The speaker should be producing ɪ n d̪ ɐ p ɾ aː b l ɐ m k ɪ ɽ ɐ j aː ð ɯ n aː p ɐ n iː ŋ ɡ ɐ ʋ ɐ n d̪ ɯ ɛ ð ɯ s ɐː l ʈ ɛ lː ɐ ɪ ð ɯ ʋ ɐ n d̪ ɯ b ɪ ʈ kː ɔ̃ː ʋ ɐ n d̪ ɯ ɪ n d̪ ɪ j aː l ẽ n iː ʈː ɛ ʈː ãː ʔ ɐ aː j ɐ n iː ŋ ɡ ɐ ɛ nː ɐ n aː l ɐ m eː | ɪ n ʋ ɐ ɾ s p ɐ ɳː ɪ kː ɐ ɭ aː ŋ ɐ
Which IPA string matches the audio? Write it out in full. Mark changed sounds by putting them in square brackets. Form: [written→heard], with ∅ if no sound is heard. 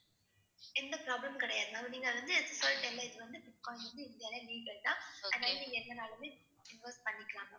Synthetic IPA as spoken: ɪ n d̪ ɐ p ɾ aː b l ɐ m k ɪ ɽ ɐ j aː ð ɯ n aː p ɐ n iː ŋ ɡ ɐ ʋ ɐ n d̪ ɯ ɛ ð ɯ s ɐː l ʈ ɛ lː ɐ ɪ ð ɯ ʋ ɐ n d̪ ɯ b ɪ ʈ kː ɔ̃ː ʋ ɐ n d̪ ɯ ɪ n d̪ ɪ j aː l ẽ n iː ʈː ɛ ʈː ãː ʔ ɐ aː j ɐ n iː ŋ ɡ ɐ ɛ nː ɐ n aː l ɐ m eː | ɪ n ʋ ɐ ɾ s p ɐ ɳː ɪ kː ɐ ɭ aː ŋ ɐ

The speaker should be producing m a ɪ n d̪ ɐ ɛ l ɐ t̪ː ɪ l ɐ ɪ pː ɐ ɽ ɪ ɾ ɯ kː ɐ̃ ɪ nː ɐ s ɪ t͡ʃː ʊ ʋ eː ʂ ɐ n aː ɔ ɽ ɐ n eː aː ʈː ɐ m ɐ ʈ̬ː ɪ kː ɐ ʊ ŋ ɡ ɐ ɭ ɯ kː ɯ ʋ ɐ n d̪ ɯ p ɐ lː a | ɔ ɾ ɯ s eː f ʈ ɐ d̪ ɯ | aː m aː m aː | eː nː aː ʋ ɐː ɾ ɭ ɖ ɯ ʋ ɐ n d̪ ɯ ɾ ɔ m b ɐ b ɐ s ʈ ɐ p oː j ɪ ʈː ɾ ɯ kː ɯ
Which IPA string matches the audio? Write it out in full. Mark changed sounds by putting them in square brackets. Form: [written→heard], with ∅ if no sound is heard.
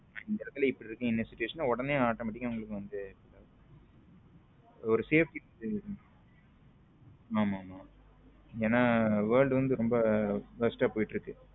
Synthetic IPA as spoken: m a ɪ n d̪ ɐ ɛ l ɐ t̪ː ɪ l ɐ ɪ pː ɐ ɽ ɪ ɾ ɯ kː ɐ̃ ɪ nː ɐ s ɪ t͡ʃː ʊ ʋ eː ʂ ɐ n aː ɔ ɽ ɐ n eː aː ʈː ɐ m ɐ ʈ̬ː ɪ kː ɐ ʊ ŋ ɡ ɐ ɭ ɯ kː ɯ ʋ ɐ n d̪ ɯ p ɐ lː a | ɔ ɾ ɯ s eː f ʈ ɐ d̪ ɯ | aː m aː m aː | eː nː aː ʋ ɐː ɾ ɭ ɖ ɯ ʋ ɐ n d̪ ɯ ɾ ɔ m b ɐ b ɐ s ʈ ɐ p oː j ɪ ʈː ɾ ɯ kː ɯ

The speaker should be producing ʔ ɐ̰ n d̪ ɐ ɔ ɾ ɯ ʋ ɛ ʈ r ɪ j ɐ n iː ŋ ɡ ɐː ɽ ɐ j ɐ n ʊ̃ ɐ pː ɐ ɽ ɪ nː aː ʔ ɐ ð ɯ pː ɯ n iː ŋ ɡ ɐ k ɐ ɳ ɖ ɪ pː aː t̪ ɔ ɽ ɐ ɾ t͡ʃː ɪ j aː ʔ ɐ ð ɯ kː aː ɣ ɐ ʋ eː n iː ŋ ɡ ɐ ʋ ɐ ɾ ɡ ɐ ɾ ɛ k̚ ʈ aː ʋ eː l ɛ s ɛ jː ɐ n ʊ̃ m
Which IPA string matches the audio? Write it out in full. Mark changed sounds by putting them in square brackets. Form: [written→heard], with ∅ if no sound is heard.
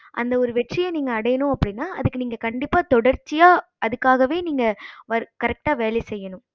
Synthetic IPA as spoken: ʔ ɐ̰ n d̪ ɐ ɔ ɾ ɯ ʋ ɛ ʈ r ɪ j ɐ n iː ŋ ɡ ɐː ɽ ɐ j ɐ n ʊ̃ ɐ pː ɐ ɽ ɪ nː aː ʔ ɐ ð ɯ [pː→kː] ɯ n iː ŋ ɡ ɐ k ɐ ɳ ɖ ɪ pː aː t̪ ɔ ɽ ɐ ɾ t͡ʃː ɪ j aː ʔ ɐ ð ɯ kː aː ɣ ɐ ʋ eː n iː ŋ ɡ ɐ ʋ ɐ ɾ [ɡ→k] ɐ ɾ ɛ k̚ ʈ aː ʋ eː l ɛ s ɛ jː ɐ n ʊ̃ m

